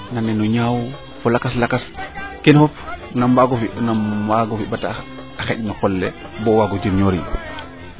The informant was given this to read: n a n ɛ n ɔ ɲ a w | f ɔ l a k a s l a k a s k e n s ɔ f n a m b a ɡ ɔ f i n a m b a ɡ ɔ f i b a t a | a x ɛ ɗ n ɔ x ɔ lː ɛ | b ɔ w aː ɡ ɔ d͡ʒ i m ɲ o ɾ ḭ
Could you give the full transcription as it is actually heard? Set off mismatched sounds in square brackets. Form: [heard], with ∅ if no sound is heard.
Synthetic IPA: n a n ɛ n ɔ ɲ a w | f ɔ l a k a s l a k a s k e n [f] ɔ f n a m b a ɡ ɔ f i n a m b a ɡ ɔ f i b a t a | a x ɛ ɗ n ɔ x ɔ lː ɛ | b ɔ w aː ɡ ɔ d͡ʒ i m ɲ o ɾ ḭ